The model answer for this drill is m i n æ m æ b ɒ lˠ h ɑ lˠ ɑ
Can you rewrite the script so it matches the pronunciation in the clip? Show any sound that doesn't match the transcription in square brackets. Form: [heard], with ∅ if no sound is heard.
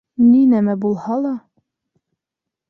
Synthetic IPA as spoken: [n] i n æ m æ b [u] lˠ h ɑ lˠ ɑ